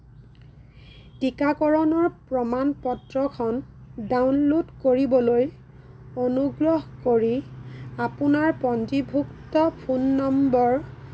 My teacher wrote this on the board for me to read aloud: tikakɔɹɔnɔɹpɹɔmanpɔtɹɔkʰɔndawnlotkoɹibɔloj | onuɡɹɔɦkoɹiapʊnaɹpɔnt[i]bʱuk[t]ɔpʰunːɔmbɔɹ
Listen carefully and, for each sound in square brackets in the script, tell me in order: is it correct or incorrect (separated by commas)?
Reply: correct, correct